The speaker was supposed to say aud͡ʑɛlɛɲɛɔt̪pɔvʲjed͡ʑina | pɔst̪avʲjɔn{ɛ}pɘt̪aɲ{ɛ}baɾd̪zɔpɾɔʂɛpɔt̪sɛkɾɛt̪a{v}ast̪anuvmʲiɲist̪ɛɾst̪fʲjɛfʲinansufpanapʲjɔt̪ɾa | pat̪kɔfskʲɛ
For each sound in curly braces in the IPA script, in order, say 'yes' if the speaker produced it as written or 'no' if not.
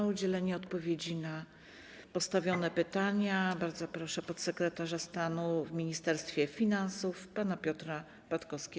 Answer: yes, no, no

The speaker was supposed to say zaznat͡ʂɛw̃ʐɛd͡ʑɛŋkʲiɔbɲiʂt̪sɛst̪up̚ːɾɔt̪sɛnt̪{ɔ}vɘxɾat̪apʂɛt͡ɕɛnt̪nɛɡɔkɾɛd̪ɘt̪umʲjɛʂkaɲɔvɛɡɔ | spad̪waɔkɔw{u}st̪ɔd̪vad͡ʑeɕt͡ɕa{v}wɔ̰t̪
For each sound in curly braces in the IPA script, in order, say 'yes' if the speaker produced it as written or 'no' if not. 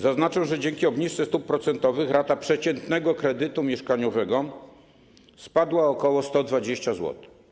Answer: yes, no, no

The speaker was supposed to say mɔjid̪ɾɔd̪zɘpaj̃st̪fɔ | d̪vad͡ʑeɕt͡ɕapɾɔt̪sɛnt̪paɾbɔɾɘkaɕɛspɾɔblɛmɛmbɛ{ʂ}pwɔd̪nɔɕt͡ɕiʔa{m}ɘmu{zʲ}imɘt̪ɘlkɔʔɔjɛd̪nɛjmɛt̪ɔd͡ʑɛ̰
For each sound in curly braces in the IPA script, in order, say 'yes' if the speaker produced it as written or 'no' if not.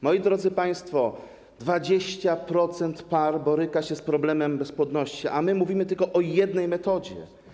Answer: no, yes, no

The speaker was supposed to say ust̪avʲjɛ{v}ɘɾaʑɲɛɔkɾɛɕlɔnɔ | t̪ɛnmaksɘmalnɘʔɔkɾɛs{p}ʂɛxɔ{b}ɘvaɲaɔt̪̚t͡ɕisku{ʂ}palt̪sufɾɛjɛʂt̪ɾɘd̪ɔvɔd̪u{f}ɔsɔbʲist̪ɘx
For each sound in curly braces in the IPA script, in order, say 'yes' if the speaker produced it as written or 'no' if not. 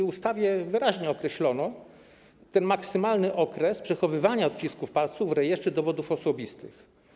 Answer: yes, yes, no, no, yes

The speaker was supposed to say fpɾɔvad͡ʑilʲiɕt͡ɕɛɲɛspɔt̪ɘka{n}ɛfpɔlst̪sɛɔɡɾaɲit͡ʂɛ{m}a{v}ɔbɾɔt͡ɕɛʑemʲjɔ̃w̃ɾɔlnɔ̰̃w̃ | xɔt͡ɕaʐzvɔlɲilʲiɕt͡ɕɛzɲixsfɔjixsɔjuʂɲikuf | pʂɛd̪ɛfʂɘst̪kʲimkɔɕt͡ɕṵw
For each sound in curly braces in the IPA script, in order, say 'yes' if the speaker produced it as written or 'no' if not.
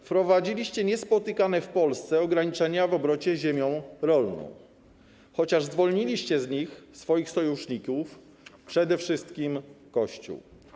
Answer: yes, no, yes

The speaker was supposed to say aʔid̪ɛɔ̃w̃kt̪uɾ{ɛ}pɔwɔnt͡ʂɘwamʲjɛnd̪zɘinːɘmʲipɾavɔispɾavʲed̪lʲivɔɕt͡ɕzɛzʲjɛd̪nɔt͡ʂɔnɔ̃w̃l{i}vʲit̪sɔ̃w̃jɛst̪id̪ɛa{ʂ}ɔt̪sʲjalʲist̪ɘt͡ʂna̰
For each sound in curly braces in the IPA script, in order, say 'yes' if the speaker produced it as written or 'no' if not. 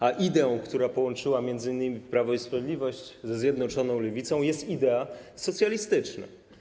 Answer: no, no, no

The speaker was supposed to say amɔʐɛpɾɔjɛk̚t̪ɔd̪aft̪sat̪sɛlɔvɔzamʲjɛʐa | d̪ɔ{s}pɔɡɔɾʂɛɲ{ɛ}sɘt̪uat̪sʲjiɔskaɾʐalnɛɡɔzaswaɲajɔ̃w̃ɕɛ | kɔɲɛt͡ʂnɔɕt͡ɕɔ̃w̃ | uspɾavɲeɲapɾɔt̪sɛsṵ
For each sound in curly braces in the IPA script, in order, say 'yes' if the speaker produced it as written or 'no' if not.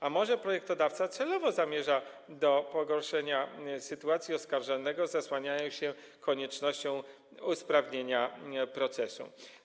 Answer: no, no

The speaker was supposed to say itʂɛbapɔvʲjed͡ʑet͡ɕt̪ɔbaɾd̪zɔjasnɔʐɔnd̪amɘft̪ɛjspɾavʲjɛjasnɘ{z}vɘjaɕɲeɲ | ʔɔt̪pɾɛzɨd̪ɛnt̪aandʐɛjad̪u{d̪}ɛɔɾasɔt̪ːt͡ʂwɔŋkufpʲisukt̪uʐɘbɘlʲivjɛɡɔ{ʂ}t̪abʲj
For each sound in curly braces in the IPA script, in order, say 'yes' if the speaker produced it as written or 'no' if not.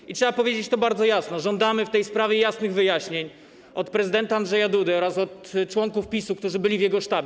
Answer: no, yes, yes

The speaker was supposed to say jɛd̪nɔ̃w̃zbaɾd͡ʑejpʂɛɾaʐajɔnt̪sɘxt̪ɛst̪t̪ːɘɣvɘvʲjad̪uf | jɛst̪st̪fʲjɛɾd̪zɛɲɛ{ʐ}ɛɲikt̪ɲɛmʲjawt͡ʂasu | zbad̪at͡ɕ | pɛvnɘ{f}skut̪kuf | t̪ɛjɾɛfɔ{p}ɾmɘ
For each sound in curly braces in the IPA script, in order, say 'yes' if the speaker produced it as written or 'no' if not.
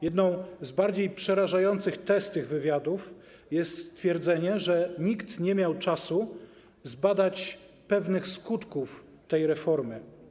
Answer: yes, no, no

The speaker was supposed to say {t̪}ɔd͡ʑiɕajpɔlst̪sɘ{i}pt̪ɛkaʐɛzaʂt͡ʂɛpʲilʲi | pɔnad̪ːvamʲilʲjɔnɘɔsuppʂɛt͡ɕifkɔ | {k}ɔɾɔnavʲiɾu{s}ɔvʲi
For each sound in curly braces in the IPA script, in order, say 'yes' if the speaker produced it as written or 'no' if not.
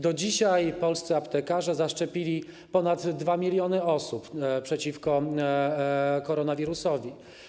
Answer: no, no, yes, yes

